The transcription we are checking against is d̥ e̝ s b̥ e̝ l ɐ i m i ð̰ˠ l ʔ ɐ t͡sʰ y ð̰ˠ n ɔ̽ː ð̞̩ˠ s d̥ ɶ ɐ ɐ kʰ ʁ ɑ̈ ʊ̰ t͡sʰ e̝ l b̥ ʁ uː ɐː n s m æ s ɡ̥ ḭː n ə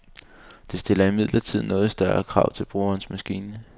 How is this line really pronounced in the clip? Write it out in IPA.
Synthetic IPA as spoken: d̥ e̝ s d̥ e̝ l ɐ i m i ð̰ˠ l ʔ ɐ t͡sʰ i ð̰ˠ n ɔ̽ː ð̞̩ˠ s d̥ ɶ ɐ ɐ kʰ ʁ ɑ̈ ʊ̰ t͡sʰ e̝ l b̥ ʁ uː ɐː n s m æ s ɡ̥ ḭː n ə